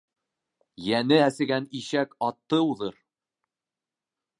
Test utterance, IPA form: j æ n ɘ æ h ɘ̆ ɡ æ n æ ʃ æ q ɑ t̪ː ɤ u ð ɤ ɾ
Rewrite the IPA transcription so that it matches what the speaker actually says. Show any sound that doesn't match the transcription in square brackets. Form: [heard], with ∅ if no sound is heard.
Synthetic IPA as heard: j æ n ɘ æ [s] ɘ̆ ɡ æ n [i] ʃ æ [k] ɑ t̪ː ɤ u ð ɤ ɾ